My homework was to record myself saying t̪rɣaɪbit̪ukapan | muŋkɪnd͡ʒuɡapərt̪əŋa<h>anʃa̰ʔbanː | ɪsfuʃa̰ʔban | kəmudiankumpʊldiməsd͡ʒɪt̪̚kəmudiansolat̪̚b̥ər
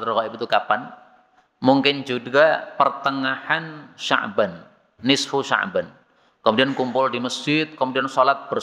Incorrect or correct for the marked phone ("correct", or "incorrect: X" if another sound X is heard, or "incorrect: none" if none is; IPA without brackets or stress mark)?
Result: correct